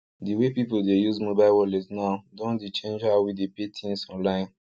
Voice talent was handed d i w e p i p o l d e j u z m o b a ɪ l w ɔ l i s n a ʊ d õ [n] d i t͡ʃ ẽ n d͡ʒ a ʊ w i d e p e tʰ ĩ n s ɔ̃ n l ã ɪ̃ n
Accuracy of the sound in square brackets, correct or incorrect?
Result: correct